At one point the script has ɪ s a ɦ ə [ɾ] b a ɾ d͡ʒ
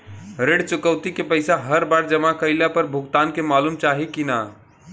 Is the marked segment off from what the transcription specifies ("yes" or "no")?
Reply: no